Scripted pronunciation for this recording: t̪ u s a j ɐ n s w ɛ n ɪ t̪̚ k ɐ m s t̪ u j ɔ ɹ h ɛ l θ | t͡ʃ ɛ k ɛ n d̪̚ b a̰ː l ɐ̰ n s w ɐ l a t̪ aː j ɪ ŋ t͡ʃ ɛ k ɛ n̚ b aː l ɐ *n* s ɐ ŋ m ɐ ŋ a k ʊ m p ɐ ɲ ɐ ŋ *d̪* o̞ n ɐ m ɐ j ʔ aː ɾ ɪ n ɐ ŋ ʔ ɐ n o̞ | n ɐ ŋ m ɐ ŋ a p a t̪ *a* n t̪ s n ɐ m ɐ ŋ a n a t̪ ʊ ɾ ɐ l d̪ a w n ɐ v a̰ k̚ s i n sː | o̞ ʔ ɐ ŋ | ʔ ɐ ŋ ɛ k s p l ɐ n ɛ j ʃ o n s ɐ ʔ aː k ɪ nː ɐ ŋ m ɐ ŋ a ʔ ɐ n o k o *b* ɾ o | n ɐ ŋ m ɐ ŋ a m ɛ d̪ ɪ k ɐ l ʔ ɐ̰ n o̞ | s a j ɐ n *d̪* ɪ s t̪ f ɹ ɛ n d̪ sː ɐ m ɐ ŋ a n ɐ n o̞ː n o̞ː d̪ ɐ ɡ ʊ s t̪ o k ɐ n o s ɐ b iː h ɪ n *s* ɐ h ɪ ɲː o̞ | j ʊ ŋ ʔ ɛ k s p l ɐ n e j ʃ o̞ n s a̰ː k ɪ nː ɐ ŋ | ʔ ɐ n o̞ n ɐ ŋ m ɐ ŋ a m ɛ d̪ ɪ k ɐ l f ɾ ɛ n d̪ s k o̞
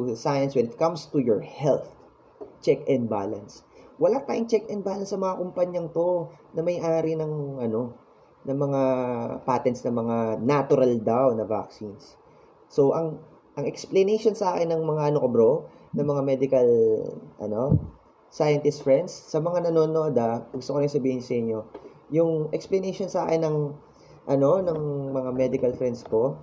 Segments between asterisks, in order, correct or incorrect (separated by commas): correct, incorrect, incorrect, correct, incorrect, correct